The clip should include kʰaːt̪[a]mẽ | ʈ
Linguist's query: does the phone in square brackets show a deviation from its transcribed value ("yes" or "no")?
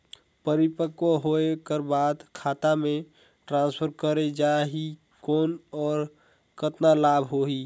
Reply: no